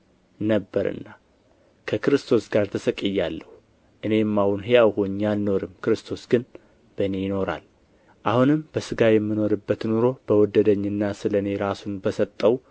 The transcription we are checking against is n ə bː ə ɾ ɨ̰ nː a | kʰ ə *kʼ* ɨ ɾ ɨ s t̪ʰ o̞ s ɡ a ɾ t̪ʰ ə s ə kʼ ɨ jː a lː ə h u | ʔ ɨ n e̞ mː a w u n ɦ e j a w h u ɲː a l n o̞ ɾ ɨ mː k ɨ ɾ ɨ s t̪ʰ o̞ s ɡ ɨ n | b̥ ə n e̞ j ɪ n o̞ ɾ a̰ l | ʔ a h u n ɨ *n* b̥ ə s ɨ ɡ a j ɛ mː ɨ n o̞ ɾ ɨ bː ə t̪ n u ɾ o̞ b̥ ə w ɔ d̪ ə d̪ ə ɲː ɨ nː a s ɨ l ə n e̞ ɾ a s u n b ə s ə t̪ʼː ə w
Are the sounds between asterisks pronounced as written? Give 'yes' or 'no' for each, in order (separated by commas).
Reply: no, no